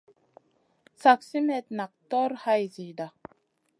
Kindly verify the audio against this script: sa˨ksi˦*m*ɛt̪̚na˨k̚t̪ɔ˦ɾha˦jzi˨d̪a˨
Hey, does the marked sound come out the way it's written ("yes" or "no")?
yes